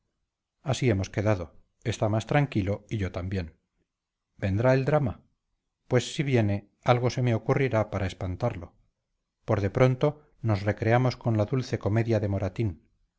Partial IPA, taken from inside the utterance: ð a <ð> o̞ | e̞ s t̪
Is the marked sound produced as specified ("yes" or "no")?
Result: yes